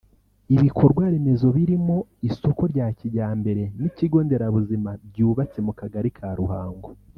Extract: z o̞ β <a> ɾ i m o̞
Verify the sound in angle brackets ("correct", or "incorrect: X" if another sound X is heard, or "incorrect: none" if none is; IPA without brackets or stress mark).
incorrect: i